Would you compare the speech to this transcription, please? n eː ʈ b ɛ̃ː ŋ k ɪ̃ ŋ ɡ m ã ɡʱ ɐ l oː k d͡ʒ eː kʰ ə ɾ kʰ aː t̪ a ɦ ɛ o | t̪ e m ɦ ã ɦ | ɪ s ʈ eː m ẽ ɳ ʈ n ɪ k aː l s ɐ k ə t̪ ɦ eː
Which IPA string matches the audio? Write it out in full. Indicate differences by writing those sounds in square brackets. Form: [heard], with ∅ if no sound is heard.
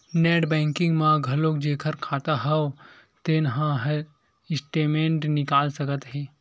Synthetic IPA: n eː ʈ b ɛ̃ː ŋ k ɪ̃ ŋ ɡ m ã ɡʱ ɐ l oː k d͡ʒ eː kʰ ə ɾ kʰ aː t̪ a ɦ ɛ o | t̪ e [n] ɦ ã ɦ | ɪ s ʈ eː m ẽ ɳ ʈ n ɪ k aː l s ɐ k ə t̪ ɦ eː

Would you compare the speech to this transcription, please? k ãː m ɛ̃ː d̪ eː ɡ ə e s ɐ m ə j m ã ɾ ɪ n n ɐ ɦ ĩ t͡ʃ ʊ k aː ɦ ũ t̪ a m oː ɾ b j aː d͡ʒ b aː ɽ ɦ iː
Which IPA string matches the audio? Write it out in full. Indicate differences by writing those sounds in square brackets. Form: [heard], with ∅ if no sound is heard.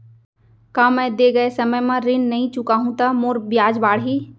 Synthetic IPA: k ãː m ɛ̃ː d̪ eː ɡ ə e s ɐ m ə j m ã ɾ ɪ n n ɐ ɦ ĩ t͡ʃ ʊ k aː ɦ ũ t̪ a m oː ɾ b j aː d͡ʒ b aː ɽ ɦ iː

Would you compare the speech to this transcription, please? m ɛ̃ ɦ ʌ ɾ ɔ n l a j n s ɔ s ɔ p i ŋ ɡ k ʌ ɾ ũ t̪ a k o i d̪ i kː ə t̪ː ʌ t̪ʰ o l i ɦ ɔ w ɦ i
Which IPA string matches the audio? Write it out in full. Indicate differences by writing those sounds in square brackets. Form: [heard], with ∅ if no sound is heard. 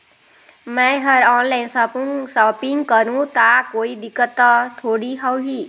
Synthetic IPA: m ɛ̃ ɦ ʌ ɾ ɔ n l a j n s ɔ s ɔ p i ŋ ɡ k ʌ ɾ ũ t̪ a k o i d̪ i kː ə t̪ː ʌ t̪ʰ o [ɽ] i ɦ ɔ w ɦ i

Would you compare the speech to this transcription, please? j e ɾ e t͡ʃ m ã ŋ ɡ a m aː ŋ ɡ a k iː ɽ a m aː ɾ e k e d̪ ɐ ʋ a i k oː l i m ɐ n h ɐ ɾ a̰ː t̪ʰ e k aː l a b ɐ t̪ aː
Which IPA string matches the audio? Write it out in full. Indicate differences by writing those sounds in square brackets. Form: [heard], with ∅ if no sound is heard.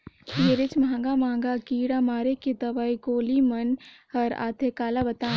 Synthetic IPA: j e ɾ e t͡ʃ m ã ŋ ɡ a m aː ŋ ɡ a k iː ɽ a m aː ɾ e k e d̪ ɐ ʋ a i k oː l i m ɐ n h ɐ ɾ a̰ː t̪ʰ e k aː l a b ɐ t̪ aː

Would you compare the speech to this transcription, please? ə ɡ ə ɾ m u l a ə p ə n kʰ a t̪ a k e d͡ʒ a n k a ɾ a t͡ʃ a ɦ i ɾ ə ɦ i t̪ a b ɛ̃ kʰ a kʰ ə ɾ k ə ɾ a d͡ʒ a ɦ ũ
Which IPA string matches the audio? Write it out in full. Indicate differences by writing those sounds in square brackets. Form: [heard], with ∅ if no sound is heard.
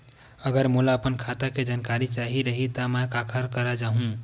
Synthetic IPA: ə ɡ ə ɾ m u l a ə p ə n kʰ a t̪ a k e d͡ʒ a n k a ɾ [i] t͡ʃ a ɦ i ɾ ə ɦ i t̪ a [m] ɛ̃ [k] a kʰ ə ɾ k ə ɾ a d͡ʒ a ɦ ũ

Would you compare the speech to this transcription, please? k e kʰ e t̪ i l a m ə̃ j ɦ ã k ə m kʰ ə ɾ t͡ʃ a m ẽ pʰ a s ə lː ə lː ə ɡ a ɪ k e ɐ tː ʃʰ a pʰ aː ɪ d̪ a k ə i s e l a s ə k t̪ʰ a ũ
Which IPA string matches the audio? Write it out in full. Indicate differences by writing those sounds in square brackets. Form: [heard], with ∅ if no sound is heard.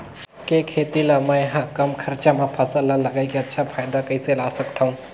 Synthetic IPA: k e kʰ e t̪ i l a m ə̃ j ɦ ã k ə m kʰ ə ɾ t͡ʃ a m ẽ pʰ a s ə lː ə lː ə ɡ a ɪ k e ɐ tː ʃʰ a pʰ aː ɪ d̪ a k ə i s e l a s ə k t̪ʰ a ũ

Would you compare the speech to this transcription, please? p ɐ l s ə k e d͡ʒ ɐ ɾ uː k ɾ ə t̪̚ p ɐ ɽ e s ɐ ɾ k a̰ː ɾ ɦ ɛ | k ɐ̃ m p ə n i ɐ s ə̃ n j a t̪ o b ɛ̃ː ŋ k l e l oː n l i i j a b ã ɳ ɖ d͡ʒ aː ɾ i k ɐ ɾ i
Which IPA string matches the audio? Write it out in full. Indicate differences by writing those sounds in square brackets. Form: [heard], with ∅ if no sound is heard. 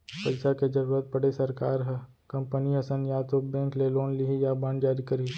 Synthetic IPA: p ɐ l s [a] k e d͡ʒ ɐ ɾ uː [∅] ɾ ə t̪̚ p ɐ ɽ e s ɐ ɾ k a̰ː ɾ ɦ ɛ | k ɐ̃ m p ə n i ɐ s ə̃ n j a t̪ o b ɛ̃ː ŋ k l e l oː n l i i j a b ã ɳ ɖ d͡ʒ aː ɾ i k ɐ ɾ i

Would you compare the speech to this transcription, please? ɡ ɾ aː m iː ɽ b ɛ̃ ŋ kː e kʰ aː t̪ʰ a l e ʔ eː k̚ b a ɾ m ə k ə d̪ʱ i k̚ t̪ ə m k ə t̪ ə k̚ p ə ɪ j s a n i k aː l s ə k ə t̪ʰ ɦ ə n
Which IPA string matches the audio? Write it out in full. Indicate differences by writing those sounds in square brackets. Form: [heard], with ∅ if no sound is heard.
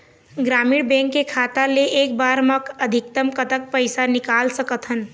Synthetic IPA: ɡ ɾ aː m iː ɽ b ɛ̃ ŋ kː e kʰ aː [t̪] a l e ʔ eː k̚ b a ɾ m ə k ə d̪ʱ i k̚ t̪ ə m k ə t̪ ə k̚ p ə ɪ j s a n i k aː l s ə k ə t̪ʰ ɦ ə n

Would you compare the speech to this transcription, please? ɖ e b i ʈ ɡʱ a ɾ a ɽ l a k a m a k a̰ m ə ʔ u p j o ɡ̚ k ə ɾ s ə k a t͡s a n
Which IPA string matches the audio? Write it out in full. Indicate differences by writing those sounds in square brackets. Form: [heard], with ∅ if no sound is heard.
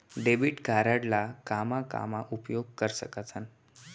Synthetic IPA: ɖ e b i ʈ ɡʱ a ɾ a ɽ l a k a m a k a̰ m [a] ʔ u p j o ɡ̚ k ə ɾ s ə k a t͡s a n

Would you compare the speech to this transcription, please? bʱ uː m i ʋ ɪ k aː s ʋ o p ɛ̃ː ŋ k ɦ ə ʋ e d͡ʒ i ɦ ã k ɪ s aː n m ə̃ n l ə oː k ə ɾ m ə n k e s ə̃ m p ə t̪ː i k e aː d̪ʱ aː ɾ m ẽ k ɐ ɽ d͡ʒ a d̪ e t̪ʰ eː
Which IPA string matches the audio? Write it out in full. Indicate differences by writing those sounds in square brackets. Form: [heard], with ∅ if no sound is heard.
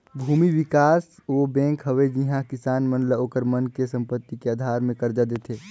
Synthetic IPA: bʱ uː m i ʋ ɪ k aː s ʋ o [b] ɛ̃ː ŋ k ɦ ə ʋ e d͡ʒ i ɦ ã k ɪ s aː n m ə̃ n l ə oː k ə ɾ m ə n k e s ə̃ m p ə t̪ː i k e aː d̪ʱ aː ɾ m ẽ k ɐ [ɾ] d͡ʒ a d̪ e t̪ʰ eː

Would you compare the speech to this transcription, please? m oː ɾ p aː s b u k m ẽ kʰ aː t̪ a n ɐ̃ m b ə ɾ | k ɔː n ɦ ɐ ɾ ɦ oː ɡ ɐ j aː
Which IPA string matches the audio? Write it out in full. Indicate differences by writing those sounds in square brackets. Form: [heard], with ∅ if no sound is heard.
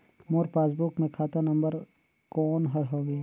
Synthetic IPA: m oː ɾ p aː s b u k m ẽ kʰ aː t̪ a n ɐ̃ m b ə ɾ | k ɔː n ɦ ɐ ɾ ɦ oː ɡ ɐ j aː

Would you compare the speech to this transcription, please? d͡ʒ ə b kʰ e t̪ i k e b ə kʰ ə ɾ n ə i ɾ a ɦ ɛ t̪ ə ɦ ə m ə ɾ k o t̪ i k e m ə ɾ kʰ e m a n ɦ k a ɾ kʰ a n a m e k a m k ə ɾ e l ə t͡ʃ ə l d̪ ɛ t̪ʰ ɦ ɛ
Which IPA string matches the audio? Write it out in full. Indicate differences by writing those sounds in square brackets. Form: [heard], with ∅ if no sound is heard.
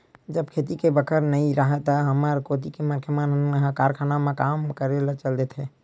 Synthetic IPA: d͡ʒ ə b kʰ e t̪ i k e b ə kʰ ə ɾ n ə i ɾ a ɦ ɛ t̪ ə ɦ ə m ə ɾ k o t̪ i k e m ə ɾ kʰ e m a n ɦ k a ɾ kʰ a n a m e k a m k ə ɾ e l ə t͡ʃ ə l d̪ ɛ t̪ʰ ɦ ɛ

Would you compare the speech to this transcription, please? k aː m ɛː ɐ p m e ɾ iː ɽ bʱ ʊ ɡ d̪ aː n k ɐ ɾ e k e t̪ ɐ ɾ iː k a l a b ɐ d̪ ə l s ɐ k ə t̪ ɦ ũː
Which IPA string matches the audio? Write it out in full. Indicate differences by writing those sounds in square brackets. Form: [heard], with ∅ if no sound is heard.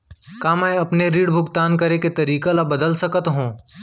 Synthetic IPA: k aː m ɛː ɐ p [n] e ɾ iː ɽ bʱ ʊ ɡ [t̪] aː n k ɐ ɾ e k e t̪ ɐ ɾ iː k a l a b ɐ d̪ ə l s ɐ k ə t̪ ɦ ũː

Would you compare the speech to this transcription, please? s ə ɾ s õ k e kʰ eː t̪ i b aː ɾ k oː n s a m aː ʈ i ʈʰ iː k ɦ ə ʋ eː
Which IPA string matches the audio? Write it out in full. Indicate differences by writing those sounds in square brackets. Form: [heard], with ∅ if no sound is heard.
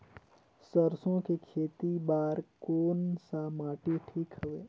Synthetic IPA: s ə ɾ s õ k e kʰ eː t̪ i b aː ɾ k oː n s a m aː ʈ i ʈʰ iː k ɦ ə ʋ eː

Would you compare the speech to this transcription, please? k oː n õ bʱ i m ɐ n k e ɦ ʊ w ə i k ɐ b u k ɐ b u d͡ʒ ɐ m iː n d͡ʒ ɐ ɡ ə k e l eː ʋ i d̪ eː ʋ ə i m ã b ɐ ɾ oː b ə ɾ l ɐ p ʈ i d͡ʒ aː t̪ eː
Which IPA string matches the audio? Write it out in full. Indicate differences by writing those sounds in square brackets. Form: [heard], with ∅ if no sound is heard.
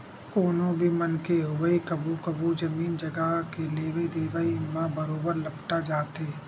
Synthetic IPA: k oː n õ bʱ i m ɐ n k e ɦ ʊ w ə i k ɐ b u k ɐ b u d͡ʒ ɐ m iː n d͡ʒ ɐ ɡ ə k e l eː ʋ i d̪ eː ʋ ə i m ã b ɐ ɾ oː b ə ɾ l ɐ p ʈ [a] d͡ʒ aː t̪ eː

